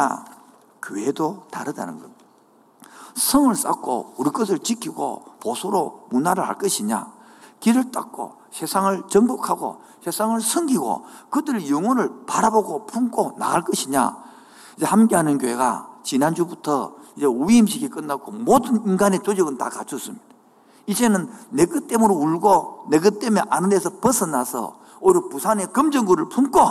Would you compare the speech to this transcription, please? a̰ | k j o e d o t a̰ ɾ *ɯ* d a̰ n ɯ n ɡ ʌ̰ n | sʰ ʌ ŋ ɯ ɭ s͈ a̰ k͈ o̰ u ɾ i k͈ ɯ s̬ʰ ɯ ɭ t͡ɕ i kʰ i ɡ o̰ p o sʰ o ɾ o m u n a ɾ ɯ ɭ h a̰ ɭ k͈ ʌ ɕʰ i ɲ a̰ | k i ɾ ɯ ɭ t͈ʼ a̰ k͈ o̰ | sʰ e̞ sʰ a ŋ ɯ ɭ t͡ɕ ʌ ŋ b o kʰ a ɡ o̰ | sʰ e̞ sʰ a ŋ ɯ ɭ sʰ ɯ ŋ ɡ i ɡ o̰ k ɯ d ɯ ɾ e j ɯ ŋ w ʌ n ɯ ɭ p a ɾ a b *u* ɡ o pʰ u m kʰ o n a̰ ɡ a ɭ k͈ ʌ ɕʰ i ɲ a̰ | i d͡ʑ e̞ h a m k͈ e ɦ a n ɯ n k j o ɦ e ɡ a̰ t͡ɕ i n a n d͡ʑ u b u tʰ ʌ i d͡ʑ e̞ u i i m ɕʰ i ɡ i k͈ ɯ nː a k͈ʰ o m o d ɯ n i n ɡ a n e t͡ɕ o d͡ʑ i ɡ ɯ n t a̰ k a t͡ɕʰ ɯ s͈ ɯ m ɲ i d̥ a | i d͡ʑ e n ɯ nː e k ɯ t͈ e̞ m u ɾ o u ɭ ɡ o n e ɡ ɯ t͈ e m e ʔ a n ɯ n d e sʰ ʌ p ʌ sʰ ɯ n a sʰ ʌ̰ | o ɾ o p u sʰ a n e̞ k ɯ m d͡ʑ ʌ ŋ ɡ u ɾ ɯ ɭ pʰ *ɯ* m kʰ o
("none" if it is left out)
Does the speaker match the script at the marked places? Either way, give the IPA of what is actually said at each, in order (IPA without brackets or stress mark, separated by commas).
ɯ, o, u